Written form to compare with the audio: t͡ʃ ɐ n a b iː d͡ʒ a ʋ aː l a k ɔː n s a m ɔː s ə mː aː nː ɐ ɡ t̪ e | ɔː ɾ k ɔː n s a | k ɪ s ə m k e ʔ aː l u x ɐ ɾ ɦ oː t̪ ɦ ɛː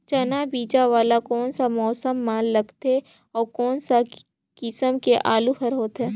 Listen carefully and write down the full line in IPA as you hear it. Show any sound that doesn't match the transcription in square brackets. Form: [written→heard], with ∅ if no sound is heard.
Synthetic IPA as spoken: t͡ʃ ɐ n a b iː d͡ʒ a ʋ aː l a k ɔː n s a m ɔː s ə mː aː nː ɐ ɡ t̪ e | ɔː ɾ k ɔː n s a | k ɪ s ə m k e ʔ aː l u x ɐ ɾ ɦ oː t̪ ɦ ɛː